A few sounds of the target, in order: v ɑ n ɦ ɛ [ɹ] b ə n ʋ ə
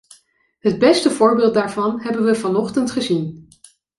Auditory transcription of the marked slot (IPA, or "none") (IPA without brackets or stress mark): none